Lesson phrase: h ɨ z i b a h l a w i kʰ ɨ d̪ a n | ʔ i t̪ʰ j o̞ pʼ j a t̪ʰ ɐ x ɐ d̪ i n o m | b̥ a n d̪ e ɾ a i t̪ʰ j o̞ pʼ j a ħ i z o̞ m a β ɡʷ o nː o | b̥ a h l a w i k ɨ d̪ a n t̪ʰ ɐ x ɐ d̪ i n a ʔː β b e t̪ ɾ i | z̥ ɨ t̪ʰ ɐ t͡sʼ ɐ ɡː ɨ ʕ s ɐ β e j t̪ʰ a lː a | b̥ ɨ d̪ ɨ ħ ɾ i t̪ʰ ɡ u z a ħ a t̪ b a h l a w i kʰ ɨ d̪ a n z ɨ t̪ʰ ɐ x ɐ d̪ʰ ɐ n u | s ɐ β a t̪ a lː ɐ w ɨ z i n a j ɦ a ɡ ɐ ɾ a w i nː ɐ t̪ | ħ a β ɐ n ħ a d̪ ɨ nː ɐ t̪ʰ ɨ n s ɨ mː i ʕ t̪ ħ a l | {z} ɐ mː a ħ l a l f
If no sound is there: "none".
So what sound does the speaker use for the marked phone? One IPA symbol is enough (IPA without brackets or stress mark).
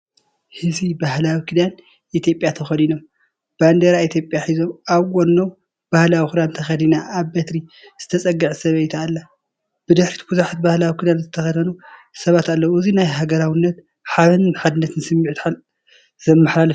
z